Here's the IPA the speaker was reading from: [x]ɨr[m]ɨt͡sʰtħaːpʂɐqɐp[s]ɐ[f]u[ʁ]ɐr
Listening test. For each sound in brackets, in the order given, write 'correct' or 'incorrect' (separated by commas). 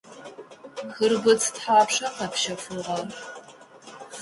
correct, incorrect, incorrect, correct, correct